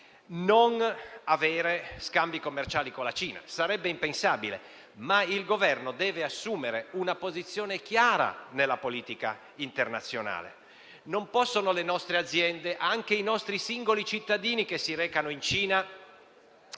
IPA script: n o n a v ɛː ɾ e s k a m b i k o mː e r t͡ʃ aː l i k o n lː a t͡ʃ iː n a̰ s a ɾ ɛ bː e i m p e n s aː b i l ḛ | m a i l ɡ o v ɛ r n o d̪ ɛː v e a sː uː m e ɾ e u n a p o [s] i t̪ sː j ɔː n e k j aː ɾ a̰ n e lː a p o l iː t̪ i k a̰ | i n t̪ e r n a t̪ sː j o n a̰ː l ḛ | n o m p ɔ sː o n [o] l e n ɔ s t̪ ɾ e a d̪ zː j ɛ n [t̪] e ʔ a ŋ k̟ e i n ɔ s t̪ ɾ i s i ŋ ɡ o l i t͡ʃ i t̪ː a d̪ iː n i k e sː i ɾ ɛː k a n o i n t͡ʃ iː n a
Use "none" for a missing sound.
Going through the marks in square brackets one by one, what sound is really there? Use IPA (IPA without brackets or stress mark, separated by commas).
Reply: z, o, d̪